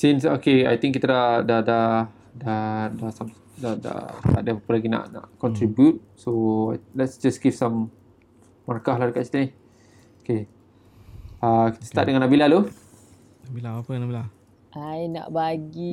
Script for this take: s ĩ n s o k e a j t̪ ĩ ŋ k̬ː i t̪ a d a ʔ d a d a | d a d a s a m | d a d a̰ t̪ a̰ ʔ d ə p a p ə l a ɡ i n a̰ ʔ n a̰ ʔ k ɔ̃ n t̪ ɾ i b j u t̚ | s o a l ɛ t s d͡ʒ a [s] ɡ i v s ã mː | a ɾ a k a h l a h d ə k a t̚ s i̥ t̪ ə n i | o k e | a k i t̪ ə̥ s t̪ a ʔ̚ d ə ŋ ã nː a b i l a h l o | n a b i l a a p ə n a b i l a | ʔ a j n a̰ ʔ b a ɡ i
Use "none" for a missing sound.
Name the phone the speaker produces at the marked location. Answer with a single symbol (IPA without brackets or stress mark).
s